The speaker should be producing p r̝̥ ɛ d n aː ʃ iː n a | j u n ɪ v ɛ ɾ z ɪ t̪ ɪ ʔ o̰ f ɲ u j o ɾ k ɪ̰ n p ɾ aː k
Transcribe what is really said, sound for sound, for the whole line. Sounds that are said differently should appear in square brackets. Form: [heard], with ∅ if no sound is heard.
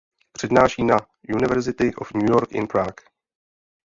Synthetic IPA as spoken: p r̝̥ ɛ d n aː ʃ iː n a | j u n ɪ v ɛ ɾ z ɪ t̪ ɪ ʔ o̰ f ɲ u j o ɾ k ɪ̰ n p ɾ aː k